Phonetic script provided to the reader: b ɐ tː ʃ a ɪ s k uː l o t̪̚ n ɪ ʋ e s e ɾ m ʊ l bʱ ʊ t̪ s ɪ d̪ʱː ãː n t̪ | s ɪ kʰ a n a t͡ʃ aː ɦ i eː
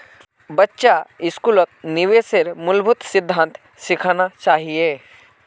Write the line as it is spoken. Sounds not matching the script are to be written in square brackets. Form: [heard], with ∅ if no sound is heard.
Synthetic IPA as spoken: b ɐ tː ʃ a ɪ s k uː l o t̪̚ n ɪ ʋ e s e ɾ m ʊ l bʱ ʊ t̪ s ɪ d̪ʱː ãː n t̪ | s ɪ kʰ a n a t͡ʃ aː ɦ i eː